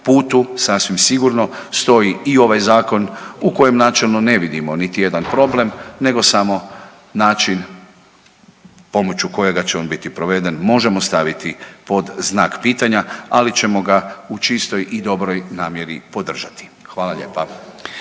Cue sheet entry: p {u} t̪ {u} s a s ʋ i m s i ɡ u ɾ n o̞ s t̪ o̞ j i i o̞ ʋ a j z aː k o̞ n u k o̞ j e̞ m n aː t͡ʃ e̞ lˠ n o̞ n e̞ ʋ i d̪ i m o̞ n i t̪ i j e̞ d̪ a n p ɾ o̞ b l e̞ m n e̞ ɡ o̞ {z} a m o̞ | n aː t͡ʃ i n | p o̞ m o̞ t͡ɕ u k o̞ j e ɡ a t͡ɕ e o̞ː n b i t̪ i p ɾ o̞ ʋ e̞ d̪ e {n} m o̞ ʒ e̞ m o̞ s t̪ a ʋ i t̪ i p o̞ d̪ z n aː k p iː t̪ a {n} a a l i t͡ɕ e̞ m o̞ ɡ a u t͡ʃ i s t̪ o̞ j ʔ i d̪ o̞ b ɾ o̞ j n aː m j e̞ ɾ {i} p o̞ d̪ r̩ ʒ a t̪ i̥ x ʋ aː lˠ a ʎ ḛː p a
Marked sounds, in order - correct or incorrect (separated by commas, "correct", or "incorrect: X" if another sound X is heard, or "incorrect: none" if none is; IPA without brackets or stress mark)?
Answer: incorrect: uː, correct, incorrect: s, correct, incorrect: ɲ, correct